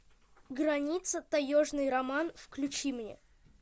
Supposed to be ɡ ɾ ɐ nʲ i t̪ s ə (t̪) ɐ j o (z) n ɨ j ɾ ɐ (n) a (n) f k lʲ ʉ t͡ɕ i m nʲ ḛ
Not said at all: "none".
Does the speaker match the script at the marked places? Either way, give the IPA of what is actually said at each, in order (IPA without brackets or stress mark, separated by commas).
t̪, ʐ, m, n